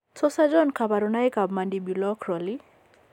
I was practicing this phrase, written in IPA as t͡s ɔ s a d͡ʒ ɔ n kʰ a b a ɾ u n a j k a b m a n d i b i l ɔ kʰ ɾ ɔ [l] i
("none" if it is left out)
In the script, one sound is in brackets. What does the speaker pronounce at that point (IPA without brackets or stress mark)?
l